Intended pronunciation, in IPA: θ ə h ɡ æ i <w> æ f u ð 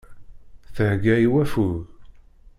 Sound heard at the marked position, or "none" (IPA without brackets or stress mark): w